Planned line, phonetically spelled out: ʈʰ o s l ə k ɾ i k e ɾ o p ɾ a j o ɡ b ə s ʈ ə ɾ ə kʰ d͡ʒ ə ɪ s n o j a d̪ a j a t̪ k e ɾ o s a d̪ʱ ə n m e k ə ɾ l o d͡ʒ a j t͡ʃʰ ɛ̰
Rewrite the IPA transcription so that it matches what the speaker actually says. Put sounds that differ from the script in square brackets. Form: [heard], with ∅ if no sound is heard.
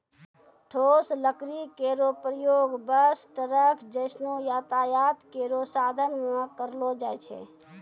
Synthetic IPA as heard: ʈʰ o s l ə k ɾ i k e ɾ o p ɾ [ə] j o ɡ b ə s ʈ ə ɾ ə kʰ d͡ʒ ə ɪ s n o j a [t̪] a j a t̪ k e ɾ o s a d̪ʱ ə n m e k ə ɾ l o d͡ʒ a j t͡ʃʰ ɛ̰

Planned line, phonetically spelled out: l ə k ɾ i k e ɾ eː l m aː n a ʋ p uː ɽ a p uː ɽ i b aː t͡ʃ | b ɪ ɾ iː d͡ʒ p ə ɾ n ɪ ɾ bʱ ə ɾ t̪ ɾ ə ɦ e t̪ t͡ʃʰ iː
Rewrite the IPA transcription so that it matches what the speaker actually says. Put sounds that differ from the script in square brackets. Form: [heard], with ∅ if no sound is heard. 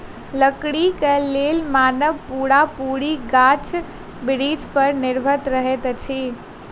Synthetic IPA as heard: l ə k [ɽ] i k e [l] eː l m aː n [ə] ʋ p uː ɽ a p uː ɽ i [ɡ] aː t͡ʃ | b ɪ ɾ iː d͡ʒ p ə ɾ n ɪ ɾ bʱ ə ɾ t̪ ɾ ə ɦ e t̪ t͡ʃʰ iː

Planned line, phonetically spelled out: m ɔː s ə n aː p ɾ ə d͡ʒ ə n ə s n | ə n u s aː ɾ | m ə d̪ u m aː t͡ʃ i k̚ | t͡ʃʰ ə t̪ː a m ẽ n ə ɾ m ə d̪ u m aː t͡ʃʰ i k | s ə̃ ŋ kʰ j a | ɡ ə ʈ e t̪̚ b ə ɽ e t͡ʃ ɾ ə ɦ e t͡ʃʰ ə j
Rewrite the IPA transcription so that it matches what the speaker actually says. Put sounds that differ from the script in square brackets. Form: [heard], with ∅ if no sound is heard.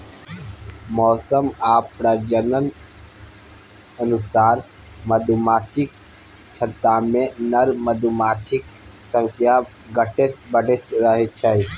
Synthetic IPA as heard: m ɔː s ə [m] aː p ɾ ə d͡ʒ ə n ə [∅] n | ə n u s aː ɾ | m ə d̪ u m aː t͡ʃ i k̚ | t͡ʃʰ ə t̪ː a m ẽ n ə ɾ m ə d̪ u m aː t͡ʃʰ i k | s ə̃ ŋ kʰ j a | ɡ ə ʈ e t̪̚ b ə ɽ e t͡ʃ ɾ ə ɦ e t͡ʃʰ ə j

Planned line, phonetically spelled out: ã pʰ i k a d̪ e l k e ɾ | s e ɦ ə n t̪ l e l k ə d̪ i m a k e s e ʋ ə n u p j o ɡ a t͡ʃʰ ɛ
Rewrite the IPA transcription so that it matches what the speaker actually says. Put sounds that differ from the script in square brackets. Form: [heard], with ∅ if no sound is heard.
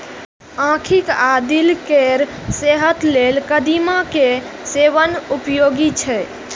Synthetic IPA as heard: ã [kʰ] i k a d̪ [i] l k e ɾ | s e ɦ ə [∅] t̪ l e l k ə d̪ i m a k e s e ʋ ə n u p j o ɡ [i] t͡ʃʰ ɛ

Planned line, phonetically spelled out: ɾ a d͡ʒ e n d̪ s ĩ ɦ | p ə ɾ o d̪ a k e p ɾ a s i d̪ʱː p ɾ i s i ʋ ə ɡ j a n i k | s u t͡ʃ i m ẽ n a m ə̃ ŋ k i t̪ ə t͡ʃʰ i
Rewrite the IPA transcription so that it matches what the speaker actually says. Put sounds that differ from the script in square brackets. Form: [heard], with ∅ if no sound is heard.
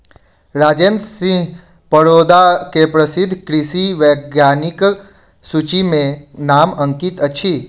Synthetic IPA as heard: ɾ a d͡ʒ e n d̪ s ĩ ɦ | p ə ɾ o d̪ a k e p ɾ [ə] s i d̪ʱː [k] ɾ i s i ʋ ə ɡ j a n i k | s u t͡ʃ i m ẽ n a m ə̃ ŋ k i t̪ ə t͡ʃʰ i

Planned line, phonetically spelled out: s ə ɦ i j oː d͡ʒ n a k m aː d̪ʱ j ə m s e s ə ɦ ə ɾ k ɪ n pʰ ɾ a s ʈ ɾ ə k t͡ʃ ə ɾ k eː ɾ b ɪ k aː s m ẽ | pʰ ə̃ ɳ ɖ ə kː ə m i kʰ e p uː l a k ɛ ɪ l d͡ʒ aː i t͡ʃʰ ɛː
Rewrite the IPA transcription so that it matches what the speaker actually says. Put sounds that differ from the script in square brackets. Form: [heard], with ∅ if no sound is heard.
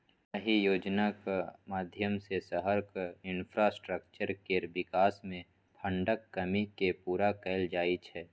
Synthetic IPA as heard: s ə ɦ i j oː d͡ʒ n a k m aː d̪ʱ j ə m s e s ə ɦ ə ɾ k ɪ n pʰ ɾ a s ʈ ɾ ə k t͡ʃ ə ɾ k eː ɾ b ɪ k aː s m ẽ | pʰ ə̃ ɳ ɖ ə kː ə m i [k] e p uː [ɾ] a k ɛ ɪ l d͡ʒ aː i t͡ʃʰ ɛː

